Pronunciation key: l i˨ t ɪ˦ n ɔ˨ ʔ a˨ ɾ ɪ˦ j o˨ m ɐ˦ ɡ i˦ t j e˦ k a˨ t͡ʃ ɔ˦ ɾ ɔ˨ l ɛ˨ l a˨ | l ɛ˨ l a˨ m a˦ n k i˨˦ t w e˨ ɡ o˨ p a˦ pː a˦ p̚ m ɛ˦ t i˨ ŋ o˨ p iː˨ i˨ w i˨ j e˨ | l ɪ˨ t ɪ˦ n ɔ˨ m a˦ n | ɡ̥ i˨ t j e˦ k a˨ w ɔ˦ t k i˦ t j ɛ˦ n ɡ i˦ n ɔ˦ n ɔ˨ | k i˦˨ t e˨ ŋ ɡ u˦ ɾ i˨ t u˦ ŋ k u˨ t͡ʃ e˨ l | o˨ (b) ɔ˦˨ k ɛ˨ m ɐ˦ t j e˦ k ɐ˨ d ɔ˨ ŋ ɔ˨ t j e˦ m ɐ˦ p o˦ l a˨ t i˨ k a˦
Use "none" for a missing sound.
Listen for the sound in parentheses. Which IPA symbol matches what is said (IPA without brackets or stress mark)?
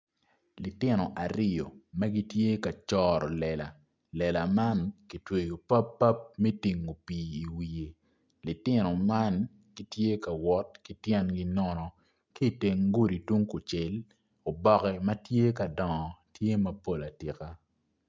b